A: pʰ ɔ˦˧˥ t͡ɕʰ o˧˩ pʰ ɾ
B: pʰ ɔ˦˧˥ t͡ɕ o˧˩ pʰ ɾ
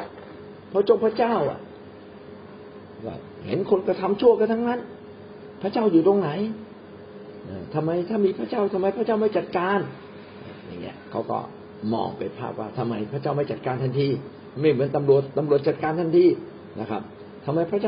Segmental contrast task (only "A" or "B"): B